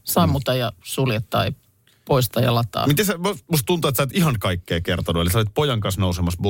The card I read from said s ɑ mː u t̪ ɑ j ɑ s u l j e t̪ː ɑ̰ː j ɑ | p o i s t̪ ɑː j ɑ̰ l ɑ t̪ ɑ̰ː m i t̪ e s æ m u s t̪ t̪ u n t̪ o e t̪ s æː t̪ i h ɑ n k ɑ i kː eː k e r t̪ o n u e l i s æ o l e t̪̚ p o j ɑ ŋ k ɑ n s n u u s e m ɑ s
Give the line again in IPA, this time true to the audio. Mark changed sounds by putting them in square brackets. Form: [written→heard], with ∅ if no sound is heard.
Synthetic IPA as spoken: s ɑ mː u t̪ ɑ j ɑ s u l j e t̪ː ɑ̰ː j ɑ | p o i s t̪ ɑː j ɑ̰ l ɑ t̪ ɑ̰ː m i t̪ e s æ m u s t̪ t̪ u n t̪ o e t̪ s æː t̪ i h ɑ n k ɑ i kː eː k e r t̪ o n u e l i s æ o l [e→i] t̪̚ p o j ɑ ŋ k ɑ n s n [u→o] u s e m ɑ s